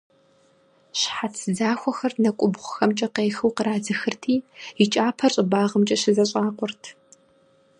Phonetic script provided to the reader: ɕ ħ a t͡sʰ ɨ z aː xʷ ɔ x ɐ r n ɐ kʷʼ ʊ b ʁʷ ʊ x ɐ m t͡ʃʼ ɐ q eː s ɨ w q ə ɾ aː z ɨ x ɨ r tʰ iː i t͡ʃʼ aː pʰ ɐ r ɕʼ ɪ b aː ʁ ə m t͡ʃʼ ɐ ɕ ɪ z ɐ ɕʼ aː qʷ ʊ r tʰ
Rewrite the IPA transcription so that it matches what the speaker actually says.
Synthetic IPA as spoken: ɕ ħ a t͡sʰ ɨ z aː xʷ ɔ x ɐ r n ɐ kʷʼ ʊ b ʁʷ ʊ x ɐ m t͡ʃʼ ɐ q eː x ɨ w q ə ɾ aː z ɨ x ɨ r tʰ iː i t͡ʃʼ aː pʰ ɐ r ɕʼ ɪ b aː ʁ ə m t͡ʃʼ ɐ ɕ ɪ z ɐ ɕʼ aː qʷ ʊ r tʰ